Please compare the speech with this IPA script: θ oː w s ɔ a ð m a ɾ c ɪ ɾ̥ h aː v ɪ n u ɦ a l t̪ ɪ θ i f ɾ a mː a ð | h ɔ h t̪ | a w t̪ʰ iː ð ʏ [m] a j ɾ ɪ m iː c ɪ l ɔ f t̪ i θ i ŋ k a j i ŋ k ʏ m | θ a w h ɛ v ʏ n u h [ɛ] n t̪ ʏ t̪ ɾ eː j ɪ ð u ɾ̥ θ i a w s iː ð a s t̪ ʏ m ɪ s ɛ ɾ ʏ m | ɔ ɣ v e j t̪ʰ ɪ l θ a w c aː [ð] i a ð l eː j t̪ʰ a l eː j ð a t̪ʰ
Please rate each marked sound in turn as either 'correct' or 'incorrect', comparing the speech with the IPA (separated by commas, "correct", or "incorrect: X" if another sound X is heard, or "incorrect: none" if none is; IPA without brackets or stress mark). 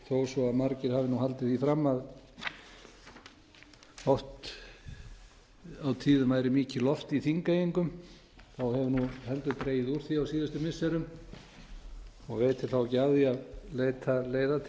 correct, correct, correct